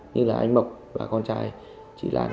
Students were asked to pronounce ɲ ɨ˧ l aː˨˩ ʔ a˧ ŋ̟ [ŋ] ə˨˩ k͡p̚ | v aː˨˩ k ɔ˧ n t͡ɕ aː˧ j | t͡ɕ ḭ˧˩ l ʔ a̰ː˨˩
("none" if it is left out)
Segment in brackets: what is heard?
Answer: m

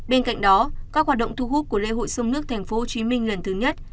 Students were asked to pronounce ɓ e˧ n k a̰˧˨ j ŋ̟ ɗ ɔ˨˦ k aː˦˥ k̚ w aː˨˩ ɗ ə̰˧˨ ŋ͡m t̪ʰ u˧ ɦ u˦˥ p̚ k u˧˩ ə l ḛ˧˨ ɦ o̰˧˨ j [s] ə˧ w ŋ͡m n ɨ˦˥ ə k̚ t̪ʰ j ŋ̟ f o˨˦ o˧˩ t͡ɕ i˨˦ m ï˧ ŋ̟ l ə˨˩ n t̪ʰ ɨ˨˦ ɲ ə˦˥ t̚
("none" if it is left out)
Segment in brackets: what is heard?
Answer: s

